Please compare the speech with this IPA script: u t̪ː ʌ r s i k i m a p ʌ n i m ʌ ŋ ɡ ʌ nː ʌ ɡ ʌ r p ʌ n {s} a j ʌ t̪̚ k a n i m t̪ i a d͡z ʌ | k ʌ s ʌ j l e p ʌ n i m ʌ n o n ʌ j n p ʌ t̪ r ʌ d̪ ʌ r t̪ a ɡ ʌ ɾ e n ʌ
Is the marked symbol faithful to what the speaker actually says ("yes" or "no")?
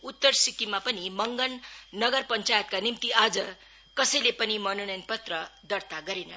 no